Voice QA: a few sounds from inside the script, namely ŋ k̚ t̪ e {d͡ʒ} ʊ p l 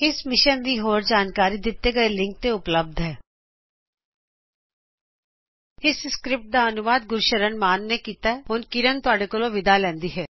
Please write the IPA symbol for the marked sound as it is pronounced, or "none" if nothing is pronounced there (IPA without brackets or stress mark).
none